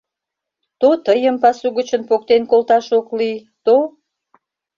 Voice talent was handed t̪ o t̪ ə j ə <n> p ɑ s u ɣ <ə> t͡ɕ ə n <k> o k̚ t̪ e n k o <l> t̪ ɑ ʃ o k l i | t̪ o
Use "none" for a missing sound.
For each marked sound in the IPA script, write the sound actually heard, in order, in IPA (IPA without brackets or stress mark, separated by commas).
m, ə, p, l